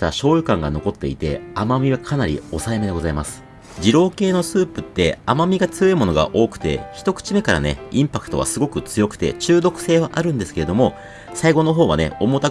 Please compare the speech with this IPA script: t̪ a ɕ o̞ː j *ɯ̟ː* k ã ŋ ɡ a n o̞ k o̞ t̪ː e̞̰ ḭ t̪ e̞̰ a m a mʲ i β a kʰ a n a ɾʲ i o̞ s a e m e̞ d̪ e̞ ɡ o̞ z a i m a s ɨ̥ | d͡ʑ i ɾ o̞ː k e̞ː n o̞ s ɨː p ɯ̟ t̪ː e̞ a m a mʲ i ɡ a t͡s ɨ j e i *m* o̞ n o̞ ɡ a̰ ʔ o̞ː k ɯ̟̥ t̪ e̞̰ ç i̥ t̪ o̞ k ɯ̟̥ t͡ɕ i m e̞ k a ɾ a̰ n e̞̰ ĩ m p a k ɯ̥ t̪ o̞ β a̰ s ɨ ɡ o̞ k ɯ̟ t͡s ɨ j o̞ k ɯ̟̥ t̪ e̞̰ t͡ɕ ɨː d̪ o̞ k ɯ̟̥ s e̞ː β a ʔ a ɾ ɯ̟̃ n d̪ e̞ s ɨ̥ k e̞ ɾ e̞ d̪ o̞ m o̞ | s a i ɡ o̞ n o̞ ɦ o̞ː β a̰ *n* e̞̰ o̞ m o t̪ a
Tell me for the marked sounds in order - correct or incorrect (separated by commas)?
incorrect, correct, correct